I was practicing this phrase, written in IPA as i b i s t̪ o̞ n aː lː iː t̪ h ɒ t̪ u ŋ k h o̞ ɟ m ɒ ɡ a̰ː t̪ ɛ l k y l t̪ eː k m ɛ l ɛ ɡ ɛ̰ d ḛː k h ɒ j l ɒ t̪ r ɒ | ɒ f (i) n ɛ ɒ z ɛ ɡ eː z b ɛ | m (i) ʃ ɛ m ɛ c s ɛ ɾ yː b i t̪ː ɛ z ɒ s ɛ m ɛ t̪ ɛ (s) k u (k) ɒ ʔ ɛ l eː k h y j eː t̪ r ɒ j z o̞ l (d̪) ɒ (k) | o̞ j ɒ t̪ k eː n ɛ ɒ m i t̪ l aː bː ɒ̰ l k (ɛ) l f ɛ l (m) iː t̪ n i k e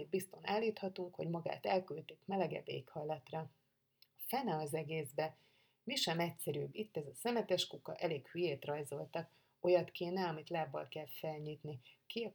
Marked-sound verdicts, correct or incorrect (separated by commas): incorrect, correct, incorrect, correct, incorrect, correct, correct, incorrect